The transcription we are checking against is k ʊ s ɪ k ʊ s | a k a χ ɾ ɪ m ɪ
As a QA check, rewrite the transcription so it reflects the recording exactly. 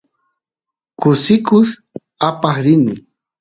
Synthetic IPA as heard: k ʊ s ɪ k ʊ s | a p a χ ɾ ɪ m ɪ